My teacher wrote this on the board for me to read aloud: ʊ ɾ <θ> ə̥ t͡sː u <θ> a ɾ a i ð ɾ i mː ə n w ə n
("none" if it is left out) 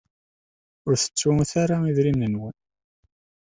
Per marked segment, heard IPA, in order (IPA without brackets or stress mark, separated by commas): θ, θ